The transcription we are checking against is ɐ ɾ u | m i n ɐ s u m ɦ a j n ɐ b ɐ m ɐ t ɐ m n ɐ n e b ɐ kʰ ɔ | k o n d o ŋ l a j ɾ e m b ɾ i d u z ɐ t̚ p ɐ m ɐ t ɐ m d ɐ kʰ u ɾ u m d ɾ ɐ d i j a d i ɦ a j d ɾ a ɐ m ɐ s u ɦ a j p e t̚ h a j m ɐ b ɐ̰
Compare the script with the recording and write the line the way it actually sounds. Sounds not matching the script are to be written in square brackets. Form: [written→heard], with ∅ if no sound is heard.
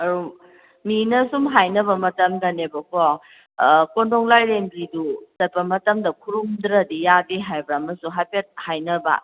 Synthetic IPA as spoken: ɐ ɾ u | m i n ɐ s u m ɦ a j n ɐ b ɐ m ɐ t ɐ m [n→d] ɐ n e b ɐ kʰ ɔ | k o n d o ŋ l a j ɾ e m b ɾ i d u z ɐ t̚ p ɐ m ɐ t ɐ m d ɐ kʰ u ɾ u m d ɾ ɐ d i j a d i ɦ a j [d→b] ɾ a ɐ m ɐ s u ɦ a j p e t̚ h a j [m→n] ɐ b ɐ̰